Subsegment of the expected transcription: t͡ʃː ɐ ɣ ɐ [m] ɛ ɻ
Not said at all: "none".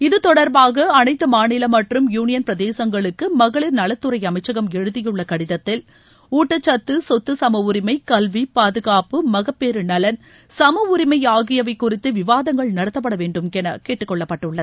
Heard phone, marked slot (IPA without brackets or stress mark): m